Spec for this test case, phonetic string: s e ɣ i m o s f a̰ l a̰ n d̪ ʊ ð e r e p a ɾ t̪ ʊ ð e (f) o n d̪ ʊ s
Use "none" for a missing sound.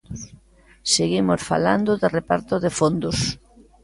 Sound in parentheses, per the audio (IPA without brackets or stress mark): f